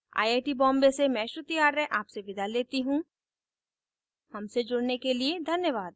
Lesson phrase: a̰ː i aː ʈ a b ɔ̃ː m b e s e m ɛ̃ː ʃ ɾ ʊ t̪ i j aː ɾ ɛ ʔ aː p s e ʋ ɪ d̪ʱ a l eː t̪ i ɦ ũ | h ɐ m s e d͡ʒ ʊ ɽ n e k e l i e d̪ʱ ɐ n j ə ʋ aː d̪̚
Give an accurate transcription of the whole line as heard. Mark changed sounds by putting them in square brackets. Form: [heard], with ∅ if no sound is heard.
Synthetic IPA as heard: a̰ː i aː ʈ [i] b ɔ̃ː m b e s e m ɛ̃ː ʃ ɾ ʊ t̪ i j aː ɾ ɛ ʔ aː p s e ʋ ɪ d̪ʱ a l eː t̪ i ɦ ũ | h ɐ m s e d͡ʒ ʊ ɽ n e k e l i e d̪ʱ ɐ n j ə ʋ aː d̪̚